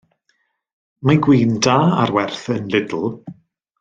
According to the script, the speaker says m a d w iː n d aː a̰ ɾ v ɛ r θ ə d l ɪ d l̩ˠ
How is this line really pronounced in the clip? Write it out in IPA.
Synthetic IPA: m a ɡ w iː n d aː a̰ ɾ w ɛ r θ ə n l ɪ d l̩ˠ